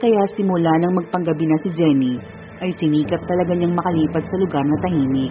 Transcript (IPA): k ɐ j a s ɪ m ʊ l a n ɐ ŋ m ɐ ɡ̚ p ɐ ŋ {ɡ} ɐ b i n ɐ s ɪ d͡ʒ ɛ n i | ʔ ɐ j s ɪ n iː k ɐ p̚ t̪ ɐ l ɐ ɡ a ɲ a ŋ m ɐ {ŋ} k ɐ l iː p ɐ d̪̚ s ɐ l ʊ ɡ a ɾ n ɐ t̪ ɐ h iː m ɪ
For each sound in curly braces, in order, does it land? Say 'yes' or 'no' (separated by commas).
yes, no